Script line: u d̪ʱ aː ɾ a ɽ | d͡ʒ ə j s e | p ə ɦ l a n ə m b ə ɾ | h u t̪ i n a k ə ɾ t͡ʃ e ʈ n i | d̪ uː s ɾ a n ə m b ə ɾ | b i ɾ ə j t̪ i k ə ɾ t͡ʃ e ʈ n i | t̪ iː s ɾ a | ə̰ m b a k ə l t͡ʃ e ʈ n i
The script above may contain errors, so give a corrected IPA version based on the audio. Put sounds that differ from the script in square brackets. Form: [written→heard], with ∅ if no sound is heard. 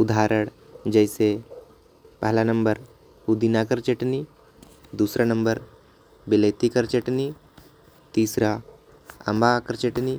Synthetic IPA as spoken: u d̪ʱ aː ɾ [a→ə] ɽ | d͡ʒ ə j s e | p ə ɦ l a n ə m b ə ɾ | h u [t̪→d̪] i n a k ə ɾ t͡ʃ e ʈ n i | d̪ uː s ɾ a n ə m b ə ɾ | b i [ɾ→l] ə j t̪ i k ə ɾ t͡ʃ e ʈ n i | t̪ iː s ɾ a | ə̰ m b a k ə [l→ɾ] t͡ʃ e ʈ n i